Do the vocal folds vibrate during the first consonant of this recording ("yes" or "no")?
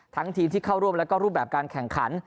no